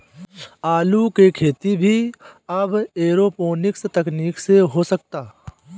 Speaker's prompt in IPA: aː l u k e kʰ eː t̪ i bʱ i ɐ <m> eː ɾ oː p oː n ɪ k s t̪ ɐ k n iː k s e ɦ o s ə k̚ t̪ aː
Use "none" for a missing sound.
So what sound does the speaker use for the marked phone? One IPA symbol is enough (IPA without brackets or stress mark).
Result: b